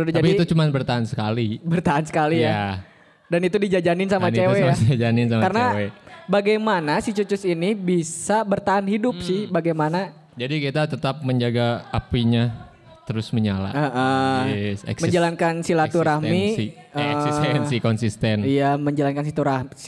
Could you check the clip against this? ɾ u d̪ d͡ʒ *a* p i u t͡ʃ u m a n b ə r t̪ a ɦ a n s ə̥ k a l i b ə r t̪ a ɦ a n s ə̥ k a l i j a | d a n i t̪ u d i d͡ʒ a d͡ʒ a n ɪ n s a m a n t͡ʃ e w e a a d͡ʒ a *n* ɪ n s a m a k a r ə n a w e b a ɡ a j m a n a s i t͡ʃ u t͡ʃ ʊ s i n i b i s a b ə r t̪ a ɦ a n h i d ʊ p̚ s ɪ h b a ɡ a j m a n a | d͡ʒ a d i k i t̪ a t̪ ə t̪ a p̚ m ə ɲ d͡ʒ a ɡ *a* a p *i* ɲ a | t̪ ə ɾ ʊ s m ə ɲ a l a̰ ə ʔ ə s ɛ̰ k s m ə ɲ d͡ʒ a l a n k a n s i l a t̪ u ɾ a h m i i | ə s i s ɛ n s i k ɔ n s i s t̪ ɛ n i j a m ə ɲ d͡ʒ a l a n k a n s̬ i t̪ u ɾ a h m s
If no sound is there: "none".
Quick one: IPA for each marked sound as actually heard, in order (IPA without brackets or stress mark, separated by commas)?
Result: a, n, a, i